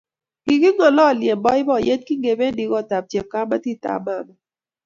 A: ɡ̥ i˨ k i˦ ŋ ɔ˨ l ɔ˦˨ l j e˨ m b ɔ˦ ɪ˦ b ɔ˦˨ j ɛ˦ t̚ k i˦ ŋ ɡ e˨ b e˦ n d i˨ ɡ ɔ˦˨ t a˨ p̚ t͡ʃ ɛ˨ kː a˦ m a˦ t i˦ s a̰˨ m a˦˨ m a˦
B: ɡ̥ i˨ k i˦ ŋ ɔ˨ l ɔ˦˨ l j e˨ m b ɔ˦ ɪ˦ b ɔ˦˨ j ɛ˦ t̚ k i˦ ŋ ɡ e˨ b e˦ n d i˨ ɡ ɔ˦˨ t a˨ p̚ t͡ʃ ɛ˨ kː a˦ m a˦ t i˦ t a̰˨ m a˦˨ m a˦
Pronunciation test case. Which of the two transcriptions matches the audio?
B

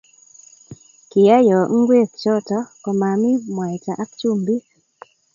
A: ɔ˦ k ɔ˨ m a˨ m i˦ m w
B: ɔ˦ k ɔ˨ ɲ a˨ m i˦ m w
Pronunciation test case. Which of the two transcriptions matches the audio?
A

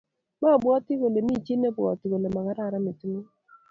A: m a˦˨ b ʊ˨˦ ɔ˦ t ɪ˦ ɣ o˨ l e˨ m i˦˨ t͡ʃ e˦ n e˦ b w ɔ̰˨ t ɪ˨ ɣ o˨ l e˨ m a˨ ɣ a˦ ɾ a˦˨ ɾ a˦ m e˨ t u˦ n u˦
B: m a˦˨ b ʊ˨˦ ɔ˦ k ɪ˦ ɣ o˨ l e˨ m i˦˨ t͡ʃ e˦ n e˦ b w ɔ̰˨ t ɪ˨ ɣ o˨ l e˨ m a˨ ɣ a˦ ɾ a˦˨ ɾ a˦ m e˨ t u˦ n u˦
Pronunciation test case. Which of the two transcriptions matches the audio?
A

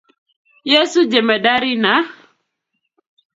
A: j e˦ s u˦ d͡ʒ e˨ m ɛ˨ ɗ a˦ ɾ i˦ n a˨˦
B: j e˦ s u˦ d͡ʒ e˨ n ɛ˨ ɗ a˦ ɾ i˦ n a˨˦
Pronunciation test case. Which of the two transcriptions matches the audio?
A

